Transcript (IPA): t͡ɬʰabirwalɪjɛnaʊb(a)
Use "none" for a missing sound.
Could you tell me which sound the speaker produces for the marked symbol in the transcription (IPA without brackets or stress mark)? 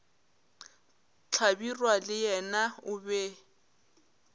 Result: ɛ